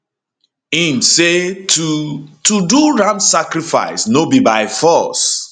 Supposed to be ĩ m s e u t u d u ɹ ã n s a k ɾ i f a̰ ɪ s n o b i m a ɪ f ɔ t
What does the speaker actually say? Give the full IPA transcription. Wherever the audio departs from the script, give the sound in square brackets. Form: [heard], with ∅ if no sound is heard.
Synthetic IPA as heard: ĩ m s e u t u d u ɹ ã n s a k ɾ i f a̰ ɪ s n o b i [b] a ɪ f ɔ [s]